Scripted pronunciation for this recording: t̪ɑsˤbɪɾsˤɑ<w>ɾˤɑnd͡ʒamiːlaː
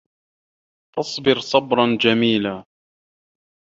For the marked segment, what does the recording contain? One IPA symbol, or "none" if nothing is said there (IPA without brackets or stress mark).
b